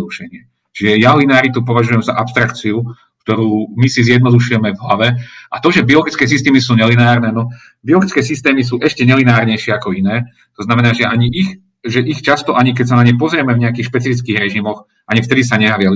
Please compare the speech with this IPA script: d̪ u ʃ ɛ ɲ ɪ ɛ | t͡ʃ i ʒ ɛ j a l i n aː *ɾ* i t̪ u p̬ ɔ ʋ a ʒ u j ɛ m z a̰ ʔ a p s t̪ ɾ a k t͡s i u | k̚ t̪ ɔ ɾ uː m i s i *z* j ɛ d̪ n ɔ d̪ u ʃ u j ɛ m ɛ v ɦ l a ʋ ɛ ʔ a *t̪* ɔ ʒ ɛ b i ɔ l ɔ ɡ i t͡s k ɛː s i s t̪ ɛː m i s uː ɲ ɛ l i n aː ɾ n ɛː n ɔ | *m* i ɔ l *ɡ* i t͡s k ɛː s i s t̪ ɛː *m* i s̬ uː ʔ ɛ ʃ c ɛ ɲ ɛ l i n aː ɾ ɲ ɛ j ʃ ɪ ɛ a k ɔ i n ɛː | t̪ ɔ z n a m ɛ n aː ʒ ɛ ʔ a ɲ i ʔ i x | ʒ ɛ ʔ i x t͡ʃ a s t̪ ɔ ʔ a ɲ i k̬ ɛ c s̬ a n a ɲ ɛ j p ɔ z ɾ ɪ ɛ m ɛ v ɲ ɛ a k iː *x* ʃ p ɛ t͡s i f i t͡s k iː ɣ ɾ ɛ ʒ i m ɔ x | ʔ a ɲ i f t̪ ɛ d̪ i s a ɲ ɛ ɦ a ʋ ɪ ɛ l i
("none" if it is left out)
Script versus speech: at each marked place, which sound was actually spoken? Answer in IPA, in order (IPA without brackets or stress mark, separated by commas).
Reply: ɾ, z, t̪, b, ɡ, m, x